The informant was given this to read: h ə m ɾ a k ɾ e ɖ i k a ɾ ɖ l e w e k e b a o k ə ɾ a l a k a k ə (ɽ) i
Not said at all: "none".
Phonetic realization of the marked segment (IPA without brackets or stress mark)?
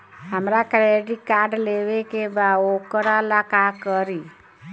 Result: ɾ